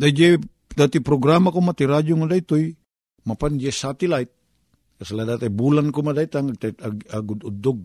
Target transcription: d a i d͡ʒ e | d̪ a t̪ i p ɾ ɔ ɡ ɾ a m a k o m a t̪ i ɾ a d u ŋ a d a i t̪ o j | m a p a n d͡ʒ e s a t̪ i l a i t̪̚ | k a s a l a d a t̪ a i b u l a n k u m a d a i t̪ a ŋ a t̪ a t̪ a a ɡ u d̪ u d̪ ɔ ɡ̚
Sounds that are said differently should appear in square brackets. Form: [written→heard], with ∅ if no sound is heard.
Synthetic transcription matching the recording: d a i d͡ʒ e | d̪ a t̪ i p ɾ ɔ ɡ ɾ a m a k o m a t̪ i ɾ a [d→d͡ʒ] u ŋ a d a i t̪ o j | m a p a n d͡ʒ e s a t̪ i l a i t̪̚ | k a s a l a d a t̪ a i b u l a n k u m a d a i t̪ a ŋ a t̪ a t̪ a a ɡ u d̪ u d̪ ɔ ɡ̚